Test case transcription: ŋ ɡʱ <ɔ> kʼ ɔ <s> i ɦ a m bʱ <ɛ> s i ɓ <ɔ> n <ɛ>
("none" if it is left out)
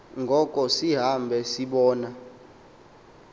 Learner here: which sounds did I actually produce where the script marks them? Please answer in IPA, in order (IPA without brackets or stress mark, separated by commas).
ɔ, s, ɛ, ɔː, a